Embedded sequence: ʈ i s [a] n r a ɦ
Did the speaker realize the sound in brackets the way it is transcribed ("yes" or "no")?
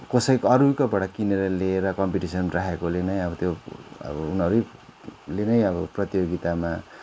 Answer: no